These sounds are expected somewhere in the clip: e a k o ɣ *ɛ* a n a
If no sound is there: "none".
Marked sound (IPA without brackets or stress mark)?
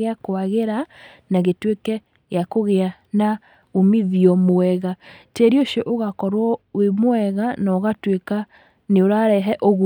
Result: e